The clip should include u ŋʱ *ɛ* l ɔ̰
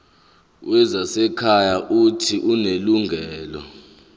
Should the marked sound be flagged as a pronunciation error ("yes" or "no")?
yes